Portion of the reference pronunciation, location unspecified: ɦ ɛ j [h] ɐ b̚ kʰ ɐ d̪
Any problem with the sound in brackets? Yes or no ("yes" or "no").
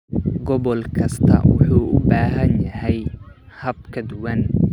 no